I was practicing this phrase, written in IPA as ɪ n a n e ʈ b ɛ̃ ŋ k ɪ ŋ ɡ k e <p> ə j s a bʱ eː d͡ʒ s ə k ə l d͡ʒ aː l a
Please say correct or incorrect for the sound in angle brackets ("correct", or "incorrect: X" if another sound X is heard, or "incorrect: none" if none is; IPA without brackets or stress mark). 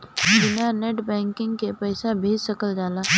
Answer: correct